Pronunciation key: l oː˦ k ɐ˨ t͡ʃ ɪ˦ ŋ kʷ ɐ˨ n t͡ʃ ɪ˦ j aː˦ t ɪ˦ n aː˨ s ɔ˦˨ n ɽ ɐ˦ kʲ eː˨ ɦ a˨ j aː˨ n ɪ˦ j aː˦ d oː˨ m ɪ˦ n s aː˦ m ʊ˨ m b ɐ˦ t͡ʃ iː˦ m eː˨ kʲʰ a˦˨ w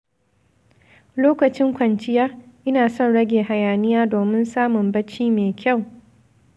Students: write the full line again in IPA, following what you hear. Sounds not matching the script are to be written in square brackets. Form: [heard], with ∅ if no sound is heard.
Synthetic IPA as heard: l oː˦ k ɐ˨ t͡ʃ ɪ˦ ŋ kʷ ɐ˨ n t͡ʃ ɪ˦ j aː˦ [ʔ] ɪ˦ n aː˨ s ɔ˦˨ n ɽ ɐ˦ [ɡʲ] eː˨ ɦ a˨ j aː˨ n ɪ˦ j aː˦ d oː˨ m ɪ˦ n s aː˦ m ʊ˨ m b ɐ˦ t͡ʃ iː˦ m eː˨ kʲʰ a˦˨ w